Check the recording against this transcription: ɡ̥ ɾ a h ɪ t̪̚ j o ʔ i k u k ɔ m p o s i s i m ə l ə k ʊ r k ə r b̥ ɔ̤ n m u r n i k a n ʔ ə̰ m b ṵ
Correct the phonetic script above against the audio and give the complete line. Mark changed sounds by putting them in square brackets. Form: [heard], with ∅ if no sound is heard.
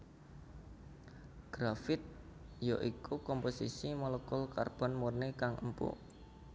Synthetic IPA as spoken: ɡ̥ ɾ a [f] ɪ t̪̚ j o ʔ i k u k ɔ m p o s i s i m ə l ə k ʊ [l] k [a] r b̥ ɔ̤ n m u r n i k a [ŋ] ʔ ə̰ m [p] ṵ